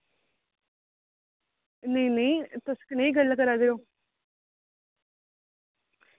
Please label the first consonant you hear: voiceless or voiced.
voiced